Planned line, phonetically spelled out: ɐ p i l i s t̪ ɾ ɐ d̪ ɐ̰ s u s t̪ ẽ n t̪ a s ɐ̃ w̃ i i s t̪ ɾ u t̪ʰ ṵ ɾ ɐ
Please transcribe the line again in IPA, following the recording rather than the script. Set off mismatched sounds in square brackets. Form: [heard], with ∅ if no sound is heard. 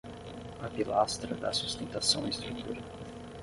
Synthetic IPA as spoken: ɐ p i l [a] s t̪ ɾ ɐ d̪ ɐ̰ s u s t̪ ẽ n t̪ a s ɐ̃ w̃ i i s t̪ ɾ u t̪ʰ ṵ ɾ ɐ